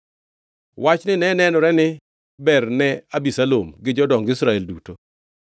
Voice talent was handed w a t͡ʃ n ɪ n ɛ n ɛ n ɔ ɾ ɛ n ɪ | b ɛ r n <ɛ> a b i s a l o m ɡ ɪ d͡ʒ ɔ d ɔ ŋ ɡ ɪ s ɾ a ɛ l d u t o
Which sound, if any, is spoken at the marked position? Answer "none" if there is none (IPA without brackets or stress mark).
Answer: ɛ